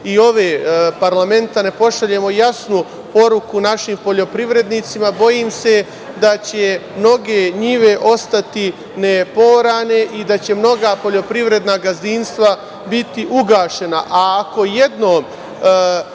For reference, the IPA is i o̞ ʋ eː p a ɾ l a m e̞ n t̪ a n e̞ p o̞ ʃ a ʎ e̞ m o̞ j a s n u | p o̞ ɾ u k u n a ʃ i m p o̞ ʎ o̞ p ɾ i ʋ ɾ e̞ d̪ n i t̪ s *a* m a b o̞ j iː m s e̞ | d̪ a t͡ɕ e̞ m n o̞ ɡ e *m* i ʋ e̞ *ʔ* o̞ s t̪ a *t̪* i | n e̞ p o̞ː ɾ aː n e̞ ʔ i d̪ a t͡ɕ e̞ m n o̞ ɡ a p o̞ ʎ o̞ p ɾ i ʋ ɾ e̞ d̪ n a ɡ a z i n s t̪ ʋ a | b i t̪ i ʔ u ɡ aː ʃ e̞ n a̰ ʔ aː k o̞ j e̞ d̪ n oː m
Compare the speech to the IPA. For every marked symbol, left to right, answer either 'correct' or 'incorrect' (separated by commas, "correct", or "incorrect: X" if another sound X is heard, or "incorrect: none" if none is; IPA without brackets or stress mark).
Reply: incorrect: i, incorrect: ɲ, correct, correct